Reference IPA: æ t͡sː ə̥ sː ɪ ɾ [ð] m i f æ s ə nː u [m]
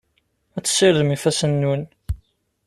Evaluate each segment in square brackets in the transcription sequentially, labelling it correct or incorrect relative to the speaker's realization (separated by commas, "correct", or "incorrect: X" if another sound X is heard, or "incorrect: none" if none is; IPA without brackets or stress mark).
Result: correct, incorrect: n